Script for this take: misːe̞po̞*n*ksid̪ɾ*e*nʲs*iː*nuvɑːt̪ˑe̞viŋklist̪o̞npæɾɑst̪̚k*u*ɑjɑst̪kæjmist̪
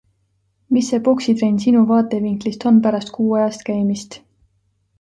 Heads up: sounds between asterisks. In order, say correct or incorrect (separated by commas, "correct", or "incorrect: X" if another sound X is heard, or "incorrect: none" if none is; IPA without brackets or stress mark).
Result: incorrect: none, correct, incorrect: i, incorrect: uː